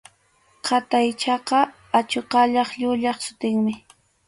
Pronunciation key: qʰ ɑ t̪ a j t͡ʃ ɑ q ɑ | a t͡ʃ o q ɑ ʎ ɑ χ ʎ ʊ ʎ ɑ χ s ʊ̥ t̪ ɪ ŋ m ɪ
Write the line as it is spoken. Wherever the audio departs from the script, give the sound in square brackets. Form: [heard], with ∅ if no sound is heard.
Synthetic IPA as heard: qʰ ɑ t̪ a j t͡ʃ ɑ q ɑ | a t͡ʃ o q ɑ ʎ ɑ χ ʎ ʊ ʎ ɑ χ s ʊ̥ t̪ ɪ ŋ m ɪ